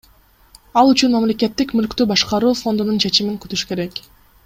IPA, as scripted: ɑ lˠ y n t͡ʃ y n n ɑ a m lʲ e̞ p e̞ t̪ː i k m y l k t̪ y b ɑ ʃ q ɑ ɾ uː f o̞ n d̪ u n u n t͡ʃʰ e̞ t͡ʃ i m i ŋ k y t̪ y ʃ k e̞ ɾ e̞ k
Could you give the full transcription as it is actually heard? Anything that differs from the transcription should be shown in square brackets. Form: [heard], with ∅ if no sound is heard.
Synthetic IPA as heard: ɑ lˠ y [∅] t͡ʃ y n [m] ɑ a m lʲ e̞ [k] e̞ t̪ː i k m y l k t̪ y b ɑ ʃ q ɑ ɾ uː f o̞ n d̪ u n u n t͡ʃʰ e̞ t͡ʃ i m i ŋ k y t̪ y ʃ k e̞ ɾ e̞ k